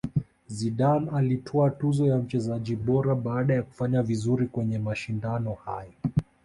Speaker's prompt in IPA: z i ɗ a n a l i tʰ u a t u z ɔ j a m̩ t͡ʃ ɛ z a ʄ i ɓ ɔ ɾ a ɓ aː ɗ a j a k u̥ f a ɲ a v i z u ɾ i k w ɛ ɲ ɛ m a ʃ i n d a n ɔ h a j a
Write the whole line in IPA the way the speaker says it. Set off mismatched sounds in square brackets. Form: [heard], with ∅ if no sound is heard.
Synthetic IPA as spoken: z i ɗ a n a l i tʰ [ɔ] a t u z ɔ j a m̩ t͡ʃ ɛ z a ʄ i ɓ ɔ ɾ a ɓ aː ɗ a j a k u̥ f a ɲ a v i z u ɾ i k w ɛ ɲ ɛ m a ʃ i n d a n ɔ h a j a